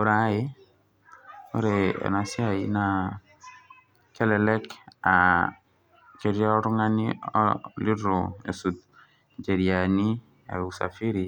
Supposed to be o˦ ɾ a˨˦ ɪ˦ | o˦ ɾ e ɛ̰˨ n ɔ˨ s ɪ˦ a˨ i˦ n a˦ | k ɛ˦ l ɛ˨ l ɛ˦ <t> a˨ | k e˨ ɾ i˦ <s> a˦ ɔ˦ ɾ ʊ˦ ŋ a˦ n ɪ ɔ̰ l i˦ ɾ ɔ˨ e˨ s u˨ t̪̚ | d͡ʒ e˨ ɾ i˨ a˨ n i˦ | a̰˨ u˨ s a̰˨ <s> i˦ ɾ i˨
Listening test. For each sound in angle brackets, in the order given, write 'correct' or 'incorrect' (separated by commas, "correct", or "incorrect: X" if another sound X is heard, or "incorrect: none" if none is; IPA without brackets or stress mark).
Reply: incorrect: k, incorrect: none, incorrect: f